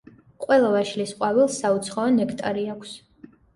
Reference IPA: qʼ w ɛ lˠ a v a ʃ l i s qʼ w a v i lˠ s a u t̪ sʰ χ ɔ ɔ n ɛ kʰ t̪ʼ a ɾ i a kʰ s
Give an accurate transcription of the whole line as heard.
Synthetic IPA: qʼ w ɛ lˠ a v a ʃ l i s qʼ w a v i lˠ s a u t̪ sʰ χ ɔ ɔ n ɛ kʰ t̪ʼ a ɾ i a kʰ s